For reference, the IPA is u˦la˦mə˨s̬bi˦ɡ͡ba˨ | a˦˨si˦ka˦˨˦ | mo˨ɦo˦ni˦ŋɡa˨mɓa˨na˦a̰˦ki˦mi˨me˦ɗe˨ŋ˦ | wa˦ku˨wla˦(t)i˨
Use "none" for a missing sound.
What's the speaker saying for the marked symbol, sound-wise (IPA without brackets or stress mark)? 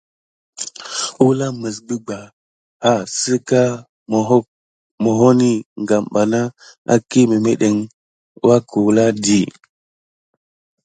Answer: d